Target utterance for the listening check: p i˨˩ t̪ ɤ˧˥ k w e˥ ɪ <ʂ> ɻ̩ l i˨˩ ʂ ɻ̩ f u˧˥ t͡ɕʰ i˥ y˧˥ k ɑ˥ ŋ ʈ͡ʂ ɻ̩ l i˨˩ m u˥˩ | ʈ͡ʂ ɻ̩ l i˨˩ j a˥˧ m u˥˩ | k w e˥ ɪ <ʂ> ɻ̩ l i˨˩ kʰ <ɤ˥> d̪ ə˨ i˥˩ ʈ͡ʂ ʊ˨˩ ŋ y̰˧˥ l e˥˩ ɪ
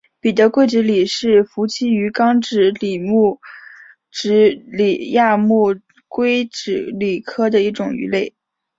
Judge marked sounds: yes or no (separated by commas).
no, no, yes